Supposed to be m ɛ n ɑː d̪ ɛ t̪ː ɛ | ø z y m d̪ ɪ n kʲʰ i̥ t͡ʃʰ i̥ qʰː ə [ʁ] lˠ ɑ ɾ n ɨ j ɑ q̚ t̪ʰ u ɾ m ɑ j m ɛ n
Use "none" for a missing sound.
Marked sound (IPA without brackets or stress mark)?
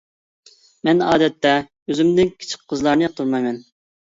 z